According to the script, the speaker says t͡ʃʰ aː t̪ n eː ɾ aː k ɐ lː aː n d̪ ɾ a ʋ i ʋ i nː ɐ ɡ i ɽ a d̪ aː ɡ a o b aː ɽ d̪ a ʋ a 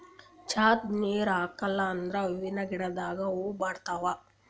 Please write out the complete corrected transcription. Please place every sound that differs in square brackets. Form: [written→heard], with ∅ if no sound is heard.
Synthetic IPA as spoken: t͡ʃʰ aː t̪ n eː ɾ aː k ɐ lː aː n d̪ ɾ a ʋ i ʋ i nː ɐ ɡ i ɽ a d̪ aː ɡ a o b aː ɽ [d̪→t̪] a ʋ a

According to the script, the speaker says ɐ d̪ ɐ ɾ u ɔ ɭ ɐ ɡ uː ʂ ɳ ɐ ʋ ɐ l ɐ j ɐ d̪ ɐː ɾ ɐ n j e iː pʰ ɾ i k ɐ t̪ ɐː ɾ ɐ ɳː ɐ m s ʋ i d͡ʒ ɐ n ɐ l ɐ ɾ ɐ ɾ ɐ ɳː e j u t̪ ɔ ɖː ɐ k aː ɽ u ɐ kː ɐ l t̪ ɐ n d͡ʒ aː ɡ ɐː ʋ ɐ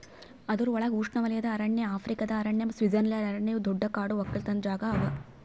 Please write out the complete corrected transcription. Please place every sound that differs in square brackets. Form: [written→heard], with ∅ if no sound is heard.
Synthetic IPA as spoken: ɐ d̪ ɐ ɾ u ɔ ɭ ɐ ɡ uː ʂ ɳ ɐ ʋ ɐ l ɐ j ɐ d̪ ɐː ɾ ɐ [n→ɳ] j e [iː→aː] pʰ ɾ i k ɐ [t̪→d̪] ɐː ɾ ɐ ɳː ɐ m s ʋ i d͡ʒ ɐ n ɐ l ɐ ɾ ɐ ɾ ɐ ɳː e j u [t̪→d̪] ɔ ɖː ɐ k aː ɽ u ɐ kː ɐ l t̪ ɐ n d͡ʒ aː ɡ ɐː ʋ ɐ

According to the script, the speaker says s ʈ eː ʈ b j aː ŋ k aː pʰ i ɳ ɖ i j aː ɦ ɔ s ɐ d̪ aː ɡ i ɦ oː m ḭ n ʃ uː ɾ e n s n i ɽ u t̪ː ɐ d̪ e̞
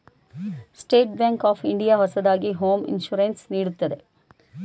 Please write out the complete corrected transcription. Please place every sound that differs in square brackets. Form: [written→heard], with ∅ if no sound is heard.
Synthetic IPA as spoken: s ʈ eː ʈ b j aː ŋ k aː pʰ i ɳ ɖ i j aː ɦ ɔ s ɐ d̪ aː ɡ i ɦ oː m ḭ n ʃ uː ɾ e n s n [i→iː] ɽ u t̪ː ɐ d̪ e̞

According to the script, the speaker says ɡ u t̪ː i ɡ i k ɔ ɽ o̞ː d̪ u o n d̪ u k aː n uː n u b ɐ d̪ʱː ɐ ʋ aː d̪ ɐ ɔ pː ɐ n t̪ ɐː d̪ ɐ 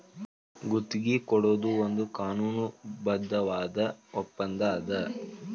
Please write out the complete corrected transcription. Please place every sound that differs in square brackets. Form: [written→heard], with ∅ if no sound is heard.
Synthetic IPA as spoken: ɡ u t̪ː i ɡ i k ɔ ɽ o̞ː d̪ u o n d̪ u k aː n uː n u b ɐ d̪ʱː ɐ ʋ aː d̪ ɐ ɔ pː ɐ n [t̪→d̪] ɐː d̪ ɐ

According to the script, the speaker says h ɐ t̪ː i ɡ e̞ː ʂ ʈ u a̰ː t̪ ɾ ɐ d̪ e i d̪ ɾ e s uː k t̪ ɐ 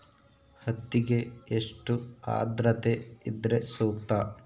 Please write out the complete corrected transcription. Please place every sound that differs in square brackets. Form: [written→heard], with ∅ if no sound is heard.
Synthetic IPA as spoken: h ɐ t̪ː i ɡ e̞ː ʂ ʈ u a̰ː [t̪→d̪] ɾ ɐ [d̪→t̪] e i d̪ ɾ e s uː k t̪ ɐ

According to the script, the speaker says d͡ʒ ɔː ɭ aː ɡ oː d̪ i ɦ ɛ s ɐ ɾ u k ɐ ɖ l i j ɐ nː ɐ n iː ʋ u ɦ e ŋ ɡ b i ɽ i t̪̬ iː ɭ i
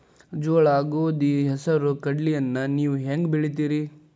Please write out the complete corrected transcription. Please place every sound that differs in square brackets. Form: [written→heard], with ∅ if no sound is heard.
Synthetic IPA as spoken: d͡ʒ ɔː ɭ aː ɡ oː d̪ i ɦ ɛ s ɐ ɾ u k ɐ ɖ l i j ɐ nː ɐ n iː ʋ u ɦ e ŋ ɡ b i [ɽ→ɭ] i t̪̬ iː [ɭ→ɾ] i

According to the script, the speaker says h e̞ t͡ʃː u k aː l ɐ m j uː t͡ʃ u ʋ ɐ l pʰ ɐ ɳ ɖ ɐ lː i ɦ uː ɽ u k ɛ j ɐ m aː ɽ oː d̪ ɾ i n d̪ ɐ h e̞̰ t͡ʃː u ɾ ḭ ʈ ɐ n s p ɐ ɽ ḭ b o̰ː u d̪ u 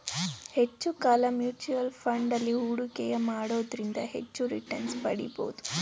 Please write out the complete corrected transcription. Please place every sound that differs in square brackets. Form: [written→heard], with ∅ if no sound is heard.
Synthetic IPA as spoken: h e̞ t͡ʃː u k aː l ɐ m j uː t͡ʃ u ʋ ɐ l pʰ ɐ ɳ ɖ ɐ lː i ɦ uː ɽ u k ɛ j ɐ m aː ɽ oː d̪ ɾ i n d̪ ɐ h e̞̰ t͡ʃː u ɾ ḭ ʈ ɐ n s p ɐ ɽ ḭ b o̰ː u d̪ u

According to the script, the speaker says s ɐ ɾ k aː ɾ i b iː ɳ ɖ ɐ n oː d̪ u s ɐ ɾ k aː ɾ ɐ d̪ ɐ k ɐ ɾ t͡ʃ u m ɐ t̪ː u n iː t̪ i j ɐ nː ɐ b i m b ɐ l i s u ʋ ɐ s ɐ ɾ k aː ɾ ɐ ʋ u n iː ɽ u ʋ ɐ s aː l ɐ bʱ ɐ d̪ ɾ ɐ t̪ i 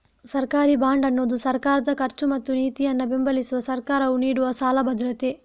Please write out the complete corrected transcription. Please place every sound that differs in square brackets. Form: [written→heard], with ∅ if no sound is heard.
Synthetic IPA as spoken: s ɐ ɾ k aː ɾ i b [iː→aː] ɳ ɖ ɐ [n→nː] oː d̪ u s ɐ ɾ k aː ɾ ɐ d̪ ɐ k ɐ ɾ t͡ʃ u m ɐ t̪ː u n iː t̪ i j ɐ nː ɐ b [i→e] m b ɐ l i s u ʋ ɐ s ɐ ɾ k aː ɾ ɐ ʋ u n iː ɽ u ʋ ɐ s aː l ɐ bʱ ɐ d̪ ɾ ɐ t̪ [i→e]

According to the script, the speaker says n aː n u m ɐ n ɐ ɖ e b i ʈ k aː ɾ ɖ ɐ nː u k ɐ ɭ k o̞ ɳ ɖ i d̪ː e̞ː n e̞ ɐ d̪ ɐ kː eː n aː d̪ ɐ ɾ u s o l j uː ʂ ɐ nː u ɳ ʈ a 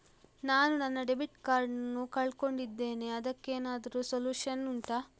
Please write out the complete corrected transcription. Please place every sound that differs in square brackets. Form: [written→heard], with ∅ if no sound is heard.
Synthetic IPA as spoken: n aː n u [m→n] ɐ [n→nː] ɐ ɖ e b i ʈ k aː ɾ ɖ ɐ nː u k ɐ ɭ k o̞ ɳ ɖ i d̪ː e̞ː n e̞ ɐ d̪ ɐ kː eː n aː d̪ ɐ ɾ u s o l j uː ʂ ɐ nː u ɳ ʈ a

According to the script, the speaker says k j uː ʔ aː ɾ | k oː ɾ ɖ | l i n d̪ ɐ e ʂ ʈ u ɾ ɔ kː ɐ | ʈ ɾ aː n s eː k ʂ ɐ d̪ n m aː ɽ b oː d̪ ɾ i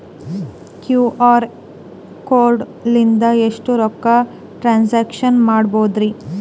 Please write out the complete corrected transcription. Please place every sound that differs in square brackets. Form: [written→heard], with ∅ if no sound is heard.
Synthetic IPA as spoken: k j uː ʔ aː ɾ | k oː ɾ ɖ | l i n d̪ ɐ e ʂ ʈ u ɾ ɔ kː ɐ | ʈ ɾ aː n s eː k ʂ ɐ [d̪→∅] n m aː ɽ b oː d̪ ɾ i

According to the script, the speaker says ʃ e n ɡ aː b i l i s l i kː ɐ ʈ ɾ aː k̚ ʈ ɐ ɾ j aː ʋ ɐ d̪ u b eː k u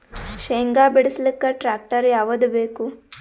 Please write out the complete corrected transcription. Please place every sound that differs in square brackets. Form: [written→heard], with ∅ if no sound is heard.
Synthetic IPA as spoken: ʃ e [n→ŋ] ɡ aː b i [l→ɽ] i s l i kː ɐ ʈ ɾ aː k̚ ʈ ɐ ɾ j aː ʋ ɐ d̪ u b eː k u

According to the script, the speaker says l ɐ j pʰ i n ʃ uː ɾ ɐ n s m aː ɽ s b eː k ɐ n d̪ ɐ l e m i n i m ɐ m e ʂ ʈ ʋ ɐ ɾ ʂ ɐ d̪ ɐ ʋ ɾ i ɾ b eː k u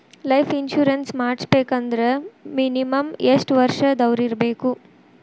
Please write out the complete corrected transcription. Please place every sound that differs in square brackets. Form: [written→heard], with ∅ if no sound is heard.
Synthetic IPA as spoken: l ɐ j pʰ i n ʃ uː ɾ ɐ n s m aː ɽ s b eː k ɐ n d̪ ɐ [l→ɾ] e m i n i m ɐ m e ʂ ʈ ʋ ɐ ɾ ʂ ɐ d̪ ɐ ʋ ɾ i ɾ b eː k u

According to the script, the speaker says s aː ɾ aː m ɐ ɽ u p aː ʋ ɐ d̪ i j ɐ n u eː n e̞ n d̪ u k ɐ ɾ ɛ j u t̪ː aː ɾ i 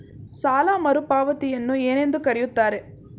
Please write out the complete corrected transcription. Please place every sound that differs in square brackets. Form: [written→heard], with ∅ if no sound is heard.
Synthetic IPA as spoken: s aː [ɾ→l] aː m ɐ [ɽ→ɾ] u p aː ʋ ɐ [d̪→t̪] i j ɐ [n→nː] u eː n e̞ n d̪ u k ɐ ɾ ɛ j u t̪ː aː ɾ [i→e]

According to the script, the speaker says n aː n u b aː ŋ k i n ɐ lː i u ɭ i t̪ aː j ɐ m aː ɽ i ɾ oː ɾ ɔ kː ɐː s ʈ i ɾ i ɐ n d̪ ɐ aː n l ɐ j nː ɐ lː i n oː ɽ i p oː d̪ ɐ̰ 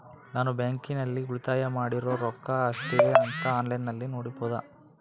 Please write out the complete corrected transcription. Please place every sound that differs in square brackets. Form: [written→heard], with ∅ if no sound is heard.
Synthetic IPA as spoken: n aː n u b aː ŋ k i n ɐ lː i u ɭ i t̪ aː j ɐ m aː ɽ i ɾ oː ɾ ɔ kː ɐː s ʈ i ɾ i ɐ n [d̪→t̪] ɐ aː n l ɐ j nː ɐ lː i n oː ɽ i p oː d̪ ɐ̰

